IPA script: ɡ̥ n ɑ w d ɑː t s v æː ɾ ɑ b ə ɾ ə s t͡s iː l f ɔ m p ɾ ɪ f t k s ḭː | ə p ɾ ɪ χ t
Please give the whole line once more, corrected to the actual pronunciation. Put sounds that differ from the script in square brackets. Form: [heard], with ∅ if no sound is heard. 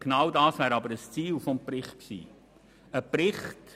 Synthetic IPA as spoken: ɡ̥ n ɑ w d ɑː [∅] s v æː ɾ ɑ b ə ɾ ə s t͡s iː l f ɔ m p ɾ ɪ [χ] t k s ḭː | ə p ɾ ɪ χ t